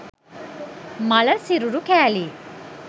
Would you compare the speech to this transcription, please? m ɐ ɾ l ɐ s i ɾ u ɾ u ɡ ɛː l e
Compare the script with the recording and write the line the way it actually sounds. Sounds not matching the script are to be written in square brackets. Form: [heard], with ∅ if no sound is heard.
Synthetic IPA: m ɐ [∅] l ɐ s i ɾ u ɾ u [k] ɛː l [i]